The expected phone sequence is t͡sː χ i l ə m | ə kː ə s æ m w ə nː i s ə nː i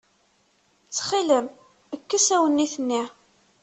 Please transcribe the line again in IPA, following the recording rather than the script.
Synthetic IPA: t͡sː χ i l ə m | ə kː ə s æ w ə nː i θ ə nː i